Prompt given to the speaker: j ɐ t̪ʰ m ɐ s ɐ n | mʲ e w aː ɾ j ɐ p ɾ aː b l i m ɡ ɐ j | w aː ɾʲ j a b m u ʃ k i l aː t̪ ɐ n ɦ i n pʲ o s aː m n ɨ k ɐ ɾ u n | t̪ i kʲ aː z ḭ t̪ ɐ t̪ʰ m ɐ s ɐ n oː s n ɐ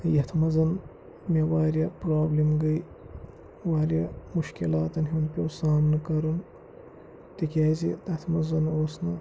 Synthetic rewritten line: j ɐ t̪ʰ m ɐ z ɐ n | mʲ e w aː ɾ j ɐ p ɾ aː b l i m ɡ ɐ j | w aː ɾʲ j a m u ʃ k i l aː t̪ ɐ n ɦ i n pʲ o s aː m n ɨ k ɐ ɾ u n | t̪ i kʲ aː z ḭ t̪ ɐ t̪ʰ m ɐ z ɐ n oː s n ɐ